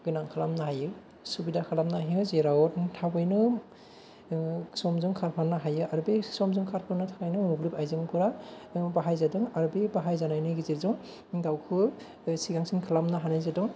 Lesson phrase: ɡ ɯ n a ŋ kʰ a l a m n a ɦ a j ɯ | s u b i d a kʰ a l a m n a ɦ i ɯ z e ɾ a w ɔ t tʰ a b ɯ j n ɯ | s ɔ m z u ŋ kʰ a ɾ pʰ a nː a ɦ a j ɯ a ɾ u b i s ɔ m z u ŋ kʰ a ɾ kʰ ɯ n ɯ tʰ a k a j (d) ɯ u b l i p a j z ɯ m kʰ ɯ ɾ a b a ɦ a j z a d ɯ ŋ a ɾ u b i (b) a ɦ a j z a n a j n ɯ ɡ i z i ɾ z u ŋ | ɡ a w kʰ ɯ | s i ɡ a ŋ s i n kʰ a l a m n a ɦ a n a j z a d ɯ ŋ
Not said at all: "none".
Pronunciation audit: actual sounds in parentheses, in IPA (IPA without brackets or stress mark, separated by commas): n, b